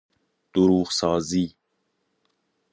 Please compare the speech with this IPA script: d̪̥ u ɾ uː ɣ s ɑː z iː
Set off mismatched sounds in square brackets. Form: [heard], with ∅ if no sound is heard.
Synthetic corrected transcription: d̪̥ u ɾ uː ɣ s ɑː z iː

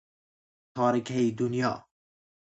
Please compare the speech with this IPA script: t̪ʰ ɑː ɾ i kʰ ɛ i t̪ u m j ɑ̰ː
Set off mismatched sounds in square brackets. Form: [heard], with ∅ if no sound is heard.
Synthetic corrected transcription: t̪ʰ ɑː ɾ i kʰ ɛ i [d̪] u [n] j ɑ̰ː

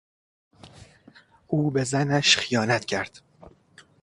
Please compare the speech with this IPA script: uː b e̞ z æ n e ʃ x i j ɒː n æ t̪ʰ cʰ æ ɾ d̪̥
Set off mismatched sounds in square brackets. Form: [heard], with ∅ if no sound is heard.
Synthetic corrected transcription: uː b e̞ z æ n [æ] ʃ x i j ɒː n æ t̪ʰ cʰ æ ɾ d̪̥

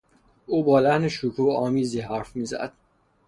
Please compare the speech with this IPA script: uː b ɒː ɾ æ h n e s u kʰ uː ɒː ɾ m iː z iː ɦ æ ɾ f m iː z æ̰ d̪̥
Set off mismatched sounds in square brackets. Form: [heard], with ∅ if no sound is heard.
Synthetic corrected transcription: uː b ɒː [l] æ h n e [ʃ] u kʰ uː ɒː [∅] m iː z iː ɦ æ ɾ f m iː z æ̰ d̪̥

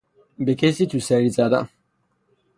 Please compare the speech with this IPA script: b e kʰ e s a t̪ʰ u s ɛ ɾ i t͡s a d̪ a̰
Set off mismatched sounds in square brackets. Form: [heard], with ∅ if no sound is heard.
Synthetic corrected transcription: b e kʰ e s [i] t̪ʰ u s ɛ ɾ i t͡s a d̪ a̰

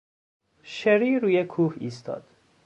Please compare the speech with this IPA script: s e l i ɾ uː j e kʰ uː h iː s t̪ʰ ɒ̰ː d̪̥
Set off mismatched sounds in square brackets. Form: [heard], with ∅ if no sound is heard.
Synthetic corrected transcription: [ʃ] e [ɾ] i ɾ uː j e kʰ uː h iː s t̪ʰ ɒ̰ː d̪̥

